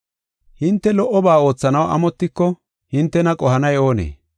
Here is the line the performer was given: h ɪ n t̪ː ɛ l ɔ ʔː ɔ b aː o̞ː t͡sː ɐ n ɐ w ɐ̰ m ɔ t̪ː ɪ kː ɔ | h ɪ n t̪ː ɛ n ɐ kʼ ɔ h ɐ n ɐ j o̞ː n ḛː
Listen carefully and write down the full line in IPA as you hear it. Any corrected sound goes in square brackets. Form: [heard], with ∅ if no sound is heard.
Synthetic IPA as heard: h ɪ n t̪ː ɛ l ɔ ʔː ɔ b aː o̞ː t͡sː ɐ n ɐ w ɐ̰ m ɔ t̪ː ɪ kː ɔ | h ɪ n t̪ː ɛ n ɐ kʼ ɔ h ɐ n ɐ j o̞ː n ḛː